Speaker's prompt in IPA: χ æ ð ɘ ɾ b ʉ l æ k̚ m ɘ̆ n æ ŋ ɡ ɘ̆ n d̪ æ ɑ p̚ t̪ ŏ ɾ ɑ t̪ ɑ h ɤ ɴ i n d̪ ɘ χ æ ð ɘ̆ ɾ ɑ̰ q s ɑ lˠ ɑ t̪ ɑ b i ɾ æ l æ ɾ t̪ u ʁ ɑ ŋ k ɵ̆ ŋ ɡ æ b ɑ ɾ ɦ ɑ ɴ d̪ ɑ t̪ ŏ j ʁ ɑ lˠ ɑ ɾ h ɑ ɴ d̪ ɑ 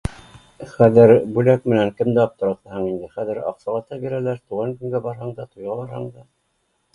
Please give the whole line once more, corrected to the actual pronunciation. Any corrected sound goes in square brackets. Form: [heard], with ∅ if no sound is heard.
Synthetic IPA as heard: χ æ ð ɘ ɾ b ʉ l æ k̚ m ɘ̆ n æ ŋ [k] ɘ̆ [m] d̪ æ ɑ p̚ t̪ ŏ ɾ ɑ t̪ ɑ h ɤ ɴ i n d̪ ɘ χ æ ð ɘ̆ ɾ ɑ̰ q s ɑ lˠ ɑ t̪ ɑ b i ɾ æ l æ ɾ t̪ u ʁ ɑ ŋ k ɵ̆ ŋ ɡ æ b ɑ ɾ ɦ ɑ ɴ d̪ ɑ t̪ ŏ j ʁ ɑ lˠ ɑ ɾ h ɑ ɴ d̪ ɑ